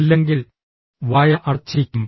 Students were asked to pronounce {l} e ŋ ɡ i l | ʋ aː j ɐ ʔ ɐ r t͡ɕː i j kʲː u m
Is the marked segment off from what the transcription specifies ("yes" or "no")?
yes